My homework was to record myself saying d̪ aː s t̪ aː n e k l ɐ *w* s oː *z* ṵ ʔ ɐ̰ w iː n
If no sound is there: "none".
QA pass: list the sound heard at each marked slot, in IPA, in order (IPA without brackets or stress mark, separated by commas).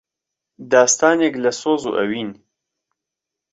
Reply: none, z